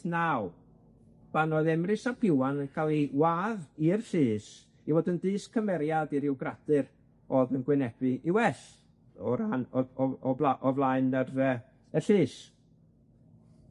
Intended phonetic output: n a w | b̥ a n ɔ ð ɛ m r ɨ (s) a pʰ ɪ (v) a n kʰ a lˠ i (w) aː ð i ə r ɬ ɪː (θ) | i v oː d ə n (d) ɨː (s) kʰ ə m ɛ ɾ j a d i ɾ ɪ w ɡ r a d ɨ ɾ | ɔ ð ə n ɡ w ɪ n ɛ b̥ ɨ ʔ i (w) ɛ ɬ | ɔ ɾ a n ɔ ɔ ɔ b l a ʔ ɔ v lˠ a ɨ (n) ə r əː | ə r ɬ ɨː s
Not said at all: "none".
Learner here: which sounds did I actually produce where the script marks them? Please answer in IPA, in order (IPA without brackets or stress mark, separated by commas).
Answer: s, w, w, s, d, s, w, n